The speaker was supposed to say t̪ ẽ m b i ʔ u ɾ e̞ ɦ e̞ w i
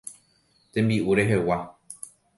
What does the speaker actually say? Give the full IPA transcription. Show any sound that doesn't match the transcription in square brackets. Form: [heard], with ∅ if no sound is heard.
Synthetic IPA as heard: t̪ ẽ m b i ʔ u ɾ e̞ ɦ e̞ w [a]